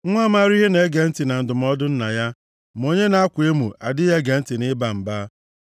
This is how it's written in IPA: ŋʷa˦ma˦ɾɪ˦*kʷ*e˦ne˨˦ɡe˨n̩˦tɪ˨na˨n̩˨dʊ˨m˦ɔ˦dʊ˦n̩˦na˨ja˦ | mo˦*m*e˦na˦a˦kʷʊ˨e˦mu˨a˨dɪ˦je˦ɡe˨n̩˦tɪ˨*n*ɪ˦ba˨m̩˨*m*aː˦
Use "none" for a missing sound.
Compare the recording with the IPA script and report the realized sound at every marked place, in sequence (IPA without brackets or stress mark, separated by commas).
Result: none, ɲ, n, b